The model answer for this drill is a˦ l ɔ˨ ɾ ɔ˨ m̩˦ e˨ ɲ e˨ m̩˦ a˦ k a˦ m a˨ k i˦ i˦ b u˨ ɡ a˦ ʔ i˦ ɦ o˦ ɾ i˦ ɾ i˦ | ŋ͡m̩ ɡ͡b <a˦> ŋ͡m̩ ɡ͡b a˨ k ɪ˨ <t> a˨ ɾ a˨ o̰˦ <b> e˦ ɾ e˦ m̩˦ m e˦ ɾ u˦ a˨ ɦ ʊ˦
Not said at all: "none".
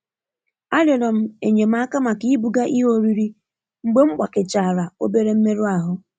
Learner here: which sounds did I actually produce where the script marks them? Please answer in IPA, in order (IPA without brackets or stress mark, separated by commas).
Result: e˦, t͡ʃ, b